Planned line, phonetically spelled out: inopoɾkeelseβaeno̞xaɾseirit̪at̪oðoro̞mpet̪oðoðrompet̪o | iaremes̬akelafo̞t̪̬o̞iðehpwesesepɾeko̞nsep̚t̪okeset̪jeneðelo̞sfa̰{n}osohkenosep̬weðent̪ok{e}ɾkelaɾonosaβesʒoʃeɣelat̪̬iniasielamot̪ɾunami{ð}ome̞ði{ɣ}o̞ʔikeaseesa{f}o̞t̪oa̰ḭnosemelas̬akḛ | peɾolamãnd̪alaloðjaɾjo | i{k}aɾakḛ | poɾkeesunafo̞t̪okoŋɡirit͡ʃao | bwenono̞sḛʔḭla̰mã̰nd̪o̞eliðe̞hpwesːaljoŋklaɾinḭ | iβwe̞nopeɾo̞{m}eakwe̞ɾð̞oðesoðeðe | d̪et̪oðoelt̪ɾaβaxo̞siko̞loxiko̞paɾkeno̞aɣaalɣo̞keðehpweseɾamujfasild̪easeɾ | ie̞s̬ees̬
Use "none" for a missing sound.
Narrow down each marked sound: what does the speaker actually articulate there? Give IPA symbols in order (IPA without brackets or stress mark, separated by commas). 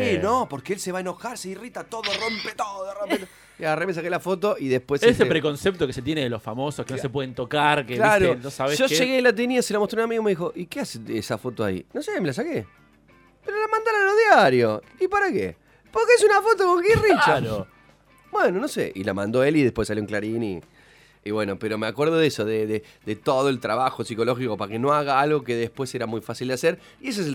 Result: m, a, ɣ, x, f, p, m